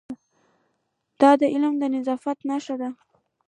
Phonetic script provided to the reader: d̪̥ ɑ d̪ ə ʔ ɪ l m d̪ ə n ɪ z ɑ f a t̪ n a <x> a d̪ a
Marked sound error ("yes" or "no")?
yes